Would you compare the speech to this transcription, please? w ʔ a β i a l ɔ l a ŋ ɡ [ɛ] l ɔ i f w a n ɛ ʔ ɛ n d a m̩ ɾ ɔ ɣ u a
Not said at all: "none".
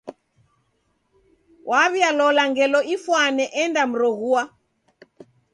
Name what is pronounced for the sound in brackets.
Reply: ɛ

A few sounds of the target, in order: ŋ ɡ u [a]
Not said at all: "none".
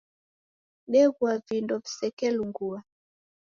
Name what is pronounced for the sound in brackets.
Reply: a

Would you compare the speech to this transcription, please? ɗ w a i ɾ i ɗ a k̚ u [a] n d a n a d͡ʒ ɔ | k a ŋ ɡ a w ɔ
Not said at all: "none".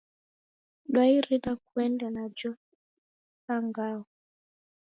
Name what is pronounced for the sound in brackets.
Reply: ɛ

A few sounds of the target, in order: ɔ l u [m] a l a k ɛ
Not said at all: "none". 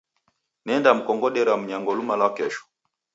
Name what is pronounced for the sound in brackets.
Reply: m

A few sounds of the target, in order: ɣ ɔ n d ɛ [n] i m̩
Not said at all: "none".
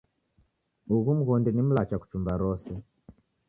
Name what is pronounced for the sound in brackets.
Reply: n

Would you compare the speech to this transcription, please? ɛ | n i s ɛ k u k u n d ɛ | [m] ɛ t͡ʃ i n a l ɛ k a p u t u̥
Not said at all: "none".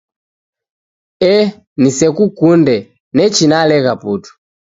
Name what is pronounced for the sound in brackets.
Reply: n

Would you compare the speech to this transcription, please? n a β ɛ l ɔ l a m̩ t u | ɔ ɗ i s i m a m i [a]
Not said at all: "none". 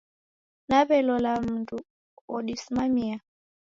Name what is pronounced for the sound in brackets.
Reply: a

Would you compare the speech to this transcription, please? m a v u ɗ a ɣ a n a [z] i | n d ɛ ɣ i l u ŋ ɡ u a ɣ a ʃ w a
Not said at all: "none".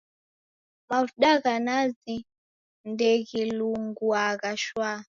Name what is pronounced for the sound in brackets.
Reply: z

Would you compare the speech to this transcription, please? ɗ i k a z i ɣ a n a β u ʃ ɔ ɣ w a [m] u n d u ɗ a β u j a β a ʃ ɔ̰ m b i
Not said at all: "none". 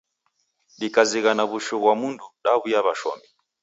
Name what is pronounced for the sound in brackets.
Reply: m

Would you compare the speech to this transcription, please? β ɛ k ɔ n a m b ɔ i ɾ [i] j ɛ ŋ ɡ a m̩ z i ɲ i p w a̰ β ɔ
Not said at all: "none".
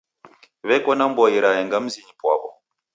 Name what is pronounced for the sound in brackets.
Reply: a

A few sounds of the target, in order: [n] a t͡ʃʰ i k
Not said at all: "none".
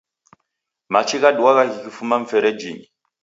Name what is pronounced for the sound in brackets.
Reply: m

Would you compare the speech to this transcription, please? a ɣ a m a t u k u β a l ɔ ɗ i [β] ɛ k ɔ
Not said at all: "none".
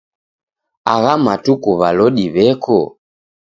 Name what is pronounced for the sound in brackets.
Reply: β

